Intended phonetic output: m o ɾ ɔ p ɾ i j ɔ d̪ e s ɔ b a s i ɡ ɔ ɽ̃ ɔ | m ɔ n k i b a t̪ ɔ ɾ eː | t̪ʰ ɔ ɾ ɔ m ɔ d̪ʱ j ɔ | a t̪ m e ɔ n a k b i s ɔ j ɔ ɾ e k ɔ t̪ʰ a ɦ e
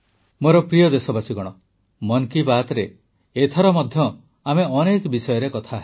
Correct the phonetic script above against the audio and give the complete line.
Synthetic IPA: m o ɾ ɔ p ɾ i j ɔ d̪ e s ɔ b a s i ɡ ɔ ɽ̃ ɔ | m ɔ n k i b a t̪ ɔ ɾ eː | t̪ʰ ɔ ɾ ɔ m ɔ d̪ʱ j ɔ | a m e ɔ n e k b i s ɔ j ɔ ɾ e k ɔ t̪ʰ a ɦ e

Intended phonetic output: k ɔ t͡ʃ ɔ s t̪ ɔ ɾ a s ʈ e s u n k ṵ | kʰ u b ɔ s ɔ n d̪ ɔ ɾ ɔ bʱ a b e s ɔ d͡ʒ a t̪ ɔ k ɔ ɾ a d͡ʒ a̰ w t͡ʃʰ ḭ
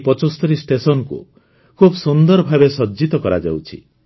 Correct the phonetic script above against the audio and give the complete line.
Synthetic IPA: p ɔ t͡ʃ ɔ s t̪ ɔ ɾ i s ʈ e s ɔ n k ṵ | kʰ u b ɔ s u n d̪ ɔ ɾ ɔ bʱ a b e s ɔ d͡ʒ i t̪ ɔ k ɔ ɾ a d͡ʒ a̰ w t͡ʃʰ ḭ

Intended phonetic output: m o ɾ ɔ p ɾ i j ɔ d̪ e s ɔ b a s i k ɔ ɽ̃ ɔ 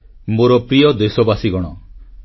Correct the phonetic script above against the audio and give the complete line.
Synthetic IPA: m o ɾ ɔ p ɾ i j ɔ d̪ e s ɔ b a s i ɡ ɔ ɽ̃ ɔ

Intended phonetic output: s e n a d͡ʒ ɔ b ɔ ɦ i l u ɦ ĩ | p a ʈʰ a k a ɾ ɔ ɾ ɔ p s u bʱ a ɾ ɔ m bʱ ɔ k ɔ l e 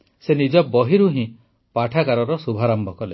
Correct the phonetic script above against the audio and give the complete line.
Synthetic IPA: s e n i d͡ʒ ɔ b ɔ ɦ i ɾ u ɦ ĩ | p a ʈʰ a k a ɾ ɔ ɾ ɔ s u bʱ a ɾ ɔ m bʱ ɔ k ɔ l e

